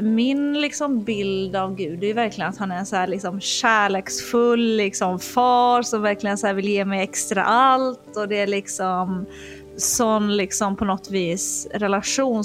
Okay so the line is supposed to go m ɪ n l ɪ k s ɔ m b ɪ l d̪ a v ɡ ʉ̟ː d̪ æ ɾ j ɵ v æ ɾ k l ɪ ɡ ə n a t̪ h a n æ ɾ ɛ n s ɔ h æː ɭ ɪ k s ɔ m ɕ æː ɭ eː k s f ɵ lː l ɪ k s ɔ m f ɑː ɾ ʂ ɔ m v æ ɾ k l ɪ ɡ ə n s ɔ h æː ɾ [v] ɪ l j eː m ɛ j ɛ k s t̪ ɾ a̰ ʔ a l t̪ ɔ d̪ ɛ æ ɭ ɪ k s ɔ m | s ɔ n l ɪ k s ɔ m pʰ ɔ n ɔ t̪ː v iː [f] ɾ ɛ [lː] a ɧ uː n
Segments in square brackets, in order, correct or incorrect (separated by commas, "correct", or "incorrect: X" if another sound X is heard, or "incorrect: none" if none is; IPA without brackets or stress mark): correct, incorrect: s, incorrect: l